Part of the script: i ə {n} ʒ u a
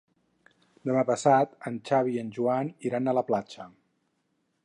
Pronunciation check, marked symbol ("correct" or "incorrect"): correct